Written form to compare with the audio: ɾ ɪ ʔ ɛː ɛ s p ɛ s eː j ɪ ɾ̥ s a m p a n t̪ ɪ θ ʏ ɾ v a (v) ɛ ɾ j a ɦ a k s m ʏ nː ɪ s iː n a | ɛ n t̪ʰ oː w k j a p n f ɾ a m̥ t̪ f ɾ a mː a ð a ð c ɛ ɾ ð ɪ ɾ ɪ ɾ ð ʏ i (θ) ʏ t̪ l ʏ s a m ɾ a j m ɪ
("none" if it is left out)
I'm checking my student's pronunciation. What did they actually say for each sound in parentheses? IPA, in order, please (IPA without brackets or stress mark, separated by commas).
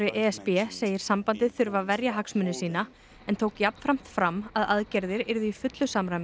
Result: v, f